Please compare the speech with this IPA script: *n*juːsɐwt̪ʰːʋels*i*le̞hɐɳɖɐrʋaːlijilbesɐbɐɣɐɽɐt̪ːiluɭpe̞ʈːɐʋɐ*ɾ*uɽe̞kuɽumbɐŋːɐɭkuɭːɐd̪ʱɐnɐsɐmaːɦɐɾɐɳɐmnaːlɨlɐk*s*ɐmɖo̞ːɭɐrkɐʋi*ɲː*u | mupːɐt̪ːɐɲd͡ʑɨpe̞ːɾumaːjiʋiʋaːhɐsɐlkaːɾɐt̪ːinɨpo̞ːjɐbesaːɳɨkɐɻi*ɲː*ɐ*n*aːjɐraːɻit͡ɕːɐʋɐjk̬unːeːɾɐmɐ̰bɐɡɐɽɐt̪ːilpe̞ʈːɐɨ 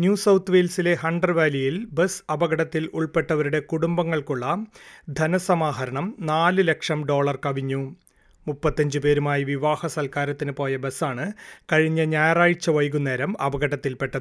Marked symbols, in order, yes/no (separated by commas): yes, yes, yes, no, yes, yes, no